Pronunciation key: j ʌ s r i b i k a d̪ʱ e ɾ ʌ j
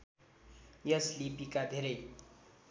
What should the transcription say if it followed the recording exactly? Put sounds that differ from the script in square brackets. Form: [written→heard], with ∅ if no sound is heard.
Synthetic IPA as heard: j ʌ s [r→l] i [b→p] i k a d̪ʱ e ɾ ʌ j